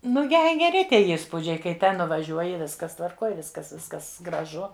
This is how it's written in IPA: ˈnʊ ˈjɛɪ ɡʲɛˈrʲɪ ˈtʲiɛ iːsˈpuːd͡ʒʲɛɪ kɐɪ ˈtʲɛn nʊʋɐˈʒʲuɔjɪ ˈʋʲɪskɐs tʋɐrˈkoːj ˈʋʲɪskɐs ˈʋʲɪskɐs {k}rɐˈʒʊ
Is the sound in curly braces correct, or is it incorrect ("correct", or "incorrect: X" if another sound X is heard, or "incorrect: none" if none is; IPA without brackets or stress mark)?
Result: incorrect: ɡ